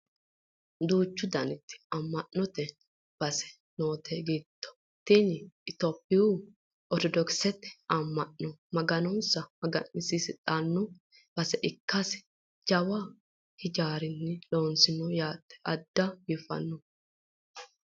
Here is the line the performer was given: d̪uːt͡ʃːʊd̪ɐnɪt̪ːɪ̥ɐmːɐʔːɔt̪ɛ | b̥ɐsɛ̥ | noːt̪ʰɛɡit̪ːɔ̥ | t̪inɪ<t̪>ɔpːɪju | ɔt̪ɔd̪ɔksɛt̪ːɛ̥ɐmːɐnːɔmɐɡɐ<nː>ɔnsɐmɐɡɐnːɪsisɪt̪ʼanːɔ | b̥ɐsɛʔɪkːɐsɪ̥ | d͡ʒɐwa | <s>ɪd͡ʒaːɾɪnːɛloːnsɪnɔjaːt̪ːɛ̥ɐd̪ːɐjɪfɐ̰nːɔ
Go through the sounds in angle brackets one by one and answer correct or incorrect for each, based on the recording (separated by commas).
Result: correct, incorrect, incorrect